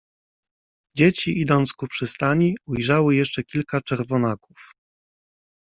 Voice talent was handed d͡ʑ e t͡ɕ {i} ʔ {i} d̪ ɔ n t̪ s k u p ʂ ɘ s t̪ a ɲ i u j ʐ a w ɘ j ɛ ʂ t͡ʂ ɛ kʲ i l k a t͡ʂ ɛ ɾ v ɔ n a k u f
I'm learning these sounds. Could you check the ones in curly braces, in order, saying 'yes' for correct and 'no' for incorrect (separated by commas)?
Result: yes, yes